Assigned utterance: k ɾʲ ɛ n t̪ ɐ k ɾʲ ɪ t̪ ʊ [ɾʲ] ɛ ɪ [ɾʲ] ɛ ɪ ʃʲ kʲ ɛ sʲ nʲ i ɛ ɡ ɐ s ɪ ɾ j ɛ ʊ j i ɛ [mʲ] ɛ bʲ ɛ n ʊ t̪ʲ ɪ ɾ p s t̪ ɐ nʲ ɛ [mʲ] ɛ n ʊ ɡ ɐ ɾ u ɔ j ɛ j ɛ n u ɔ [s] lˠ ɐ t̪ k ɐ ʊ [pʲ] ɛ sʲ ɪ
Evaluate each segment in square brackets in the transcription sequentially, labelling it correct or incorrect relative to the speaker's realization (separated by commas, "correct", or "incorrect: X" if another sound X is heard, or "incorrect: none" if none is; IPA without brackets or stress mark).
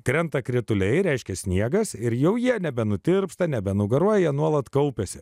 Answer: incorrect: lʲ, correct, incorrect: nʲ, incorrect: bʲ, incorrect: none, correct